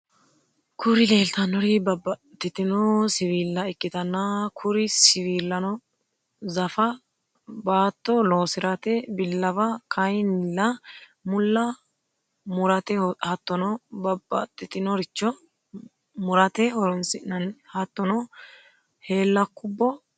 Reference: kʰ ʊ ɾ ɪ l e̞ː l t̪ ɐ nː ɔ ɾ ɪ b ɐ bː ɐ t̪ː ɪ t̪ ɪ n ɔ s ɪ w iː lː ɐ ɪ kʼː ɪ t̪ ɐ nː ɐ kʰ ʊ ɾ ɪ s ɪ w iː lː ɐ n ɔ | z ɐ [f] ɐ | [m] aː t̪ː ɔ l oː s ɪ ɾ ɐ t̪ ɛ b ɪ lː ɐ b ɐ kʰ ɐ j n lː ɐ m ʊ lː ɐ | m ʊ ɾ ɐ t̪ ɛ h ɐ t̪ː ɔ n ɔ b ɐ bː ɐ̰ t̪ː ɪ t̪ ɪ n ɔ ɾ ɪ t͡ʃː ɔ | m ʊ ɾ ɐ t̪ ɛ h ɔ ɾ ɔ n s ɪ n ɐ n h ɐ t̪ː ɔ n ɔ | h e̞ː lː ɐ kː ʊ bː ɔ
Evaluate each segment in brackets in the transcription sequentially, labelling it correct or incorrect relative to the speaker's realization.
correct, incorrect

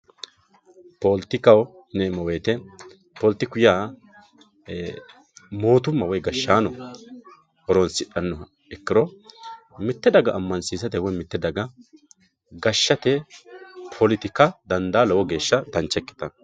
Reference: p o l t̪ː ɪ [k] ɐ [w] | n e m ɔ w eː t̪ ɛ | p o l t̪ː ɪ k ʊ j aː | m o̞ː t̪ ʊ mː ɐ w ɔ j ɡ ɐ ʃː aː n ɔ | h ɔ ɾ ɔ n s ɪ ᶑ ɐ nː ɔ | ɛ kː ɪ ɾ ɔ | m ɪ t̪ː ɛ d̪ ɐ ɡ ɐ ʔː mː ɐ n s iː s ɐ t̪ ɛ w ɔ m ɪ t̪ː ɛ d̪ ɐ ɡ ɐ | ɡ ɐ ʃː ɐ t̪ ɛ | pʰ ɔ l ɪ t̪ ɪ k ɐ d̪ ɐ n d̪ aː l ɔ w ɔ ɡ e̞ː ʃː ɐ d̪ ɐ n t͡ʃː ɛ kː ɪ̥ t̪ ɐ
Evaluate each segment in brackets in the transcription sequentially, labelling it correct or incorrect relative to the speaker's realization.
correct, correct

